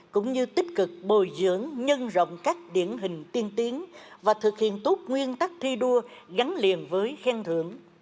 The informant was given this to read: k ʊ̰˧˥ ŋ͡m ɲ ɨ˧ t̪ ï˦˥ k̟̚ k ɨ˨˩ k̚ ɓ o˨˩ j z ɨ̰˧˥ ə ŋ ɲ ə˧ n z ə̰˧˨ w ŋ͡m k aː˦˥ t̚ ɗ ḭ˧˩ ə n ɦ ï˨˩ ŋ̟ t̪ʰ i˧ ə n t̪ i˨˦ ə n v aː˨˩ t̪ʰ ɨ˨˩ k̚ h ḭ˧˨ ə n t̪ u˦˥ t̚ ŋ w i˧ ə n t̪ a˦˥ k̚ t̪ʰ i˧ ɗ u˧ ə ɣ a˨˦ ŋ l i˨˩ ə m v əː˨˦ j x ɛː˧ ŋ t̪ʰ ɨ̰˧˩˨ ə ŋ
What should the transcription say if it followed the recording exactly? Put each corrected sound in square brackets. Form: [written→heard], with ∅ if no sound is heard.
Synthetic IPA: k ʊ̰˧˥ ŋ͡m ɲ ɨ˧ t̪ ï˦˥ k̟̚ k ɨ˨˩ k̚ ɓ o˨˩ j z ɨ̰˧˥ ə ŋ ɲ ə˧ n z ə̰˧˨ w ŋ͡m k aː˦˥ [t̚→k̚] ɗ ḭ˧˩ ə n ɦ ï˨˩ ŋ̟ [t̪ʰ→t̪] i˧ ə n t̪ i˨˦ ə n v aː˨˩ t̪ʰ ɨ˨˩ k̚ h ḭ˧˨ ə n t̪ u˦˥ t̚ ŋ w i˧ ə n t̪ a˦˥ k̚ t̪ʰ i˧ ɗ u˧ ə ɣ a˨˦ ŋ l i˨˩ ə [m→n] v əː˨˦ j x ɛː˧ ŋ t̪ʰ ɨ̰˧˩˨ ə ŋ

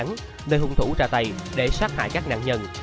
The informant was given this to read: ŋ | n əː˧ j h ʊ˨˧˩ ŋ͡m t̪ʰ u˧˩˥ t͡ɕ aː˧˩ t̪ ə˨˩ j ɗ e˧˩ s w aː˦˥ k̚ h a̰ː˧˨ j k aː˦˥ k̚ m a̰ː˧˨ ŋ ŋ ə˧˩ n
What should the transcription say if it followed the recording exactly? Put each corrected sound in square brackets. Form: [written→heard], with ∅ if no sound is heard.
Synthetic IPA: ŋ | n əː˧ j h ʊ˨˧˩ ŋ͡m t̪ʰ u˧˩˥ t͡ɕ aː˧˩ t̪ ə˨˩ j ɗ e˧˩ s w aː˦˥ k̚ h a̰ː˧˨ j k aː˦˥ k̚ [m→n] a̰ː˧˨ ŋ [ŋ→ɲ] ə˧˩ n

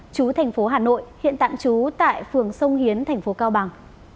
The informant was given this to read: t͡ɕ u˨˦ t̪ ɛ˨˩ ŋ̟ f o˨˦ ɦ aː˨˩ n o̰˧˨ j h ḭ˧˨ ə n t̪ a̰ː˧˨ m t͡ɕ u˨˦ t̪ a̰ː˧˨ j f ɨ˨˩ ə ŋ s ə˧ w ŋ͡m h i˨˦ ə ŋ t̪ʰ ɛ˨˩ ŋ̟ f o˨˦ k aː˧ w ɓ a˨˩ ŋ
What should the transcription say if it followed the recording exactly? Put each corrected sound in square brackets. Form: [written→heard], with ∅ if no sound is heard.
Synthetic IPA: t͡ɕ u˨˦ [t̪→t̪ʰ] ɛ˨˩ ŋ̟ f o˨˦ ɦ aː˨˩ n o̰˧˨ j h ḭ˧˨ ə n t̪ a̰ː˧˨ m t͡ɕ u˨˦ t̪ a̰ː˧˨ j f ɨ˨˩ ə ŋ s ə˧ w ŋ͡m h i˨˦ ə [ŋ→n] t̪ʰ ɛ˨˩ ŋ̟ f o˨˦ k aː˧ w ɓ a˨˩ ŋ

